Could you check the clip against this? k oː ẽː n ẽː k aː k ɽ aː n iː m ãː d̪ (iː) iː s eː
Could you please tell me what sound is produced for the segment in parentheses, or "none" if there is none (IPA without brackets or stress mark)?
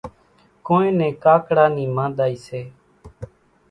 aː